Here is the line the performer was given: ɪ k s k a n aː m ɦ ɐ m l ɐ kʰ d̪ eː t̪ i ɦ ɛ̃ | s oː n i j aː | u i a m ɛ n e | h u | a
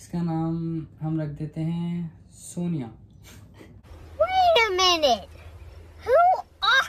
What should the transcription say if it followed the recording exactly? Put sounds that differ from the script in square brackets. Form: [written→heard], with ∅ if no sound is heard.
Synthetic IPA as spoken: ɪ [k→∅] s k a n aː m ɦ ɐ m [l→ɾ] ɐ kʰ d̪ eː t̪ [i→e] ɦ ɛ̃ | s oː n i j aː | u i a m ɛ n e | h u | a